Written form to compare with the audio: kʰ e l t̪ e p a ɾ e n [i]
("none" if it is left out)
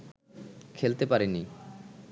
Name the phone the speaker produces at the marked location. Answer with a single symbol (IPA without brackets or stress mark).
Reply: i